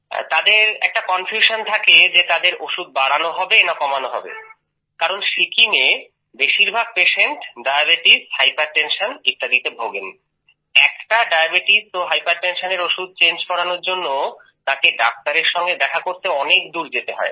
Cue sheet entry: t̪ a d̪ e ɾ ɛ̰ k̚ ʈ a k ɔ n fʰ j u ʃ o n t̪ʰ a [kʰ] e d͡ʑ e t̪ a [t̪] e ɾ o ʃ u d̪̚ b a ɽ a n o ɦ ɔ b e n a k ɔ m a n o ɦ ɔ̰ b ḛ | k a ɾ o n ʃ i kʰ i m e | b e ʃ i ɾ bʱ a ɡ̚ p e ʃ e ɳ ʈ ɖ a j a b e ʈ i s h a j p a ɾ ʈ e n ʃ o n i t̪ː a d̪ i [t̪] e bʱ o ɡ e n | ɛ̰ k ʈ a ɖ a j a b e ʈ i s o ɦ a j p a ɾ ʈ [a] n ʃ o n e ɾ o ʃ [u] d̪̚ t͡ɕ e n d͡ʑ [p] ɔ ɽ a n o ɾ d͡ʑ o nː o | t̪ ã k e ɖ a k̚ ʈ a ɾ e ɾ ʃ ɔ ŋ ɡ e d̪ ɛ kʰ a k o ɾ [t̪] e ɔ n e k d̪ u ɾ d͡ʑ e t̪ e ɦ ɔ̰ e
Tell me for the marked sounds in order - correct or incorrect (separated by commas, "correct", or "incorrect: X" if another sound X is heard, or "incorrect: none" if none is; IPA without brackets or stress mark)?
incorrect: k, incorrect: d̪, correct, incorrect: e, correct, incorrect: k, correct